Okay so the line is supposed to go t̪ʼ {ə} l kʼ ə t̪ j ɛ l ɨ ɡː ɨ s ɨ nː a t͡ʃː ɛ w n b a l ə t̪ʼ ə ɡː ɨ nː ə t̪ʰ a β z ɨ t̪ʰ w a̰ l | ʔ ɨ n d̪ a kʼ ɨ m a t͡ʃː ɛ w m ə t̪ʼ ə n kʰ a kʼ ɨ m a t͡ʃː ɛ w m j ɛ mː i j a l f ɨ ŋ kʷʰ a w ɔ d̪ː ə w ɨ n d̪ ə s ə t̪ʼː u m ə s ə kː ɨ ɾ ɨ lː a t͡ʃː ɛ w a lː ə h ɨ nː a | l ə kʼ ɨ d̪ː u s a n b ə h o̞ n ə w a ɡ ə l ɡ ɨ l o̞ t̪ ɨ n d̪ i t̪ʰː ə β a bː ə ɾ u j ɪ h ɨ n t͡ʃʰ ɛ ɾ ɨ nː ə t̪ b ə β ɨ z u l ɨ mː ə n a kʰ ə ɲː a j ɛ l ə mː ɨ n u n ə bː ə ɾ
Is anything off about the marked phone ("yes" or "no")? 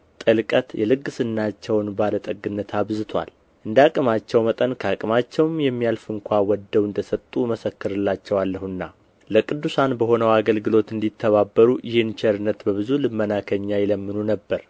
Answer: no